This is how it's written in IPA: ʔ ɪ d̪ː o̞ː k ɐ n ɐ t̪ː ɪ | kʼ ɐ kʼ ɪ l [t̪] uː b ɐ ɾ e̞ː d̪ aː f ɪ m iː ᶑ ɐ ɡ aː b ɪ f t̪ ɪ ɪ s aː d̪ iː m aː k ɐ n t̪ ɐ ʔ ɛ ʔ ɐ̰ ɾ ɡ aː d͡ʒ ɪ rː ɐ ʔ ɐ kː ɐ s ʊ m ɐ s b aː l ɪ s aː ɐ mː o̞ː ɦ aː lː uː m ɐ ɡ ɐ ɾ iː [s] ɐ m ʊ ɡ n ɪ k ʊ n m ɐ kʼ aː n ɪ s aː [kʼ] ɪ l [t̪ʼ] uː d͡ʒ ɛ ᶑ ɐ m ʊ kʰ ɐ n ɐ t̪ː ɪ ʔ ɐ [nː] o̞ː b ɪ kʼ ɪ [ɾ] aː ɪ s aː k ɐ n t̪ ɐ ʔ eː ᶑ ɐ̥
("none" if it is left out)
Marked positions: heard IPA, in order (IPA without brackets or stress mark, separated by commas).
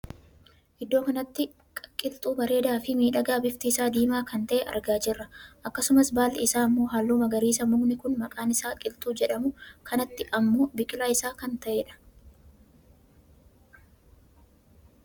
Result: t̪ʼ, s, kʼ, t̪ʼ, mː, l